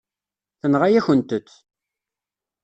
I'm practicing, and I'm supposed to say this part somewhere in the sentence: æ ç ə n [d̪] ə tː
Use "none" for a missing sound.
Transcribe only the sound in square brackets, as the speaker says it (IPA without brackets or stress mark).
t̪